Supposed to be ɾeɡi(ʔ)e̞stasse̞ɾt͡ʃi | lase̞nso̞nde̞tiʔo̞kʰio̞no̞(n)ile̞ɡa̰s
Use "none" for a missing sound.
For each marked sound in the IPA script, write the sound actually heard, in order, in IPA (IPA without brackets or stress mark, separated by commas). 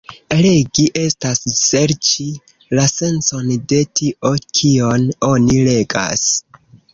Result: ʔ, n